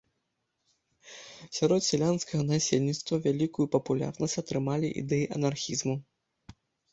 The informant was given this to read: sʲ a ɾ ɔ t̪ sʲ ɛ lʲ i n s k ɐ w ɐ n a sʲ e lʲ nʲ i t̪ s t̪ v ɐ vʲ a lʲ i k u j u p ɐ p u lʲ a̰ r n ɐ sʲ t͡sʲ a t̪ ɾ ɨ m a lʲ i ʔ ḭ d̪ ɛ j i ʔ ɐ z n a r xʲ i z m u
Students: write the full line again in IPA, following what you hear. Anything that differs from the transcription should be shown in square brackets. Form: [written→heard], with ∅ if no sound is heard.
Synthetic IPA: sʲ a ɾ ɔ t̪ sʲ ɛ lʲ [i→a] n s k ɐ [w→ɣ] ɐ n a sʲ e lʲ nʲ i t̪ s t̪ v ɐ vʲ a lʲ i k u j u p ɐ p u lʲ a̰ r n ɐ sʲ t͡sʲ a t̪ ɾ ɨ m a lʲ i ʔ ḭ d̪ ɛ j i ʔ ɐ [z→∅] n a r xʲ i z m u

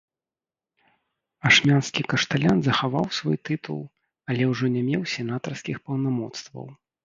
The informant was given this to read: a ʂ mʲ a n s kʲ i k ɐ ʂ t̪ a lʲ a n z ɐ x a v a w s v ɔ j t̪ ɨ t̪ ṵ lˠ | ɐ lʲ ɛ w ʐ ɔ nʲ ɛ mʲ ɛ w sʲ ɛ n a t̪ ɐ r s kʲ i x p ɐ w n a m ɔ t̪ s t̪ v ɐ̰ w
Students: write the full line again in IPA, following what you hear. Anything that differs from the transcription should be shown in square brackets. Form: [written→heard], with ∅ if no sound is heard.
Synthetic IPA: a ʂ mʲ a n s kʲ i k ɐ ʂ t̪ a lʲ a n z ɐ x a v a w s v ɔ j t̪ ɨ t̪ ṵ lˠ | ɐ lʲ ɛ w ʐ ɔ nʲ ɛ mʲ ɛ w sʲ ɛ n a t̪ ɐ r s kʲ i x p ɐ w n a m ɔ t̪ s t̪ v ɐ̰ w

